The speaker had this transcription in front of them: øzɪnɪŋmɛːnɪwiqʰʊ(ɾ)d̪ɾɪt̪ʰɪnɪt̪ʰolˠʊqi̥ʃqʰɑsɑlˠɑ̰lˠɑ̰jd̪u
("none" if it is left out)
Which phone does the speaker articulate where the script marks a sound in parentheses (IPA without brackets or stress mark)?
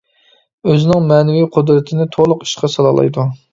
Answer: none